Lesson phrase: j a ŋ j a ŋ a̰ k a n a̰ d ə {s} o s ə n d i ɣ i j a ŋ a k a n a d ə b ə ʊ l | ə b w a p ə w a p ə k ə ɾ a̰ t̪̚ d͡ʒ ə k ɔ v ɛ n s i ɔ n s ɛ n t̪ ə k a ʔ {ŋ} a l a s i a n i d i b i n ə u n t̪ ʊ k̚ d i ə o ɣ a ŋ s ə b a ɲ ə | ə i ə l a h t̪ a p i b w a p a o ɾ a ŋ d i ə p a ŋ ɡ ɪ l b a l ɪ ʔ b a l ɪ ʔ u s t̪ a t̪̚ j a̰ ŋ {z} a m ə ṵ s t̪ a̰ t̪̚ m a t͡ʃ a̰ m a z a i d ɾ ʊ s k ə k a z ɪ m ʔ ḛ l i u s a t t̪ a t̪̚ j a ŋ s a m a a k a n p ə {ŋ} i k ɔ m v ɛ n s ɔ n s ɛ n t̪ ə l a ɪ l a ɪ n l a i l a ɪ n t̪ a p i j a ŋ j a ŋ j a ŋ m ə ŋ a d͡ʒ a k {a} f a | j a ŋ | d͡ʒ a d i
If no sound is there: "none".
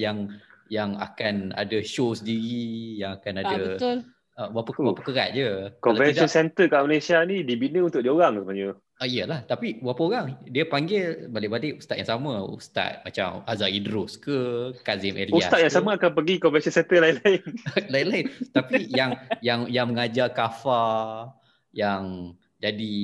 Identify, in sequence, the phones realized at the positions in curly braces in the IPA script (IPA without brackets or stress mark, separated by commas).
ʃ, m, s, ɡ, a